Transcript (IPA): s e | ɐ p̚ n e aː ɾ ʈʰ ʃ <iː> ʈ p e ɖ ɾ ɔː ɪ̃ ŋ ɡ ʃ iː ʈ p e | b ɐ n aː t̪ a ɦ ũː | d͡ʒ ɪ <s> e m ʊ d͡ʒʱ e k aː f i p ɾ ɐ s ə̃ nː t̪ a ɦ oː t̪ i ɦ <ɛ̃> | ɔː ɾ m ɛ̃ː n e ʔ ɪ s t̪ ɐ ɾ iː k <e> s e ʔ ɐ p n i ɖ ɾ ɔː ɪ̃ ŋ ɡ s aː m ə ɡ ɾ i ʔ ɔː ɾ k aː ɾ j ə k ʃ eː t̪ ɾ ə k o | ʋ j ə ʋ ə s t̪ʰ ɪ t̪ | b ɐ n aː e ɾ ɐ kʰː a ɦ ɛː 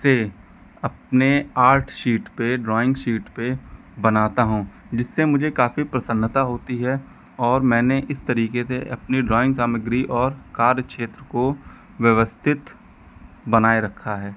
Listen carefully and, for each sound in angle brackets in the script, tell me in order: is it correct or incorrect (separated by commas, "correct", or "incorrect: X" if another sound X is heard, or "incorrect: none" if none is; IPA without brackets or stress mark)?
correct, incorrect: sː, incorrect: ɛ, correct